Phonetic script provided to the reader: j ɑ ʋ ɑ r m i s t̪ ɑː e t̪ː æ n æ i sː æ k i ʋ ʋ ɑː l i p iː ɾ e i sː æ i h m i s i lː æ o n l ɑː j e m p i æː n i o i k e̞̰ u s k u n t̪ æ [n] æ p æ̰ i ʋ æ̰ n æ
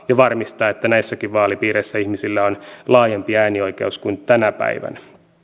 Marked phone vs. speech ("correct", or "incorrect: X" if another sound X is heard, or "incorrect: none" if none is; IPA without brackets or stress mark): correct